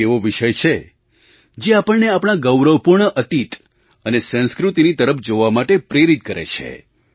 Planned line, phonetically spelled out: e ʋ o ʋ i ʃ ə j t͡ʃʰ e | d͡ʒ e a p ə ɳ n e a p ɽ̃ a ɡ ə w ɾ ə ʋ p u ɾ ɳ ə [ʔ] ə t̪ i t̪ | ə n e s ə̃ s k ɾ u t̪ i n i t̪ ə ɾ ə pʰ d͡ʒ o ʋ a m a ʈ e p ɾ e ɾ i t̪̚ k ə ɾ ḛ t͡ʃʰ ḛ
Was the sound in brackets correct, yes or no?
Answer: yes